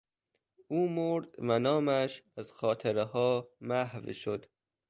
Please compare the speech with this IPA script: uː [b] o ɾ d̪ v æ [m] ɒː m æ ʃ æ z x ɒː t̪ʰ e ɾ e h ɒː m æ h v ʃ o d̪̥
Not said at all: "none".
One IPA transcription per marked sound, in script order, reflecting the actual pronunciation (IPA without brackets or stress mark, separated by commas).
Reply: m, n